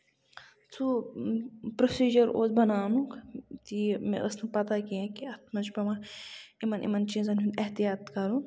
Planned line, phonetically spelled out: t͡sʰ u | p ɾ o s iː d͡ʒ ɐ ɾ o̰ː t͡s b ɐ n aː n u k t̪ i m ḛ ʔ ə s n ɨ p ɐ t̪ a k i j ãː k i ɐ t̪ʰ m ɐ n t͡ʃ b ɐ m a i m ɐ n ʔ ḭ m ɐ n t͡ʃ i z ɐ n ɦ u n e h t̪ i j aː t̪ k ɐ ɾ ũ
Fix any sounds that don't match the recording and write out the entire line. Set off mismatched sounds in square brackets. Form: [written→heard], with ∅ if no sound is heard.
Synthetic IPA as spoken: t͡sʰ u | p ɾ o s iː d͡ʒ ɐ ɾ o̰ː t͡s b ɐ n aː n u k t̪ i m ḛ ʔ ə s n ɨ p ɐ t̪ a k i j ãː k i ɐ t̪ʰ m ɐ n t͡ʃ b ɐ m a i m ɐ n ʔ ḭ m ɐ n t͡ʃ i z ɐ n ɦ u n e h t̪ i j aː t̪ k ɐ ɾ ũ